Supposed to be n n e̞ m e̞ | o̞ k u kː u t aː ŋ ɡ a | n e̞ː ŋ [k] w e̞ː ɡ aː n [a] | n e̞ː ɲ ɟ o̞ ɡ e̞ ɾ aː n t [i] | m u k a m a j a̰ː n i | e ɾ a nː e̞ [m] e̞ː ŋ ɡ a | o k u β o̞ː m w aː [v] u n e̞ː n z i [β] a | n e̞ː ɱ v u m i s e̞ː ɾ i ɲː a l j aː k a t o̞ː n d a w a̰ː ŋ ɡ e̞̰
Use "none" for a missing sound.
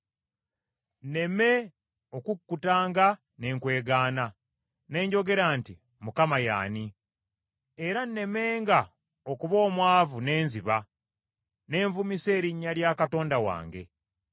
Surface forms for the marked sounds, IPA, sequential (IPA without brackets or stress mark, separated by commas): k, a, i, m, v, β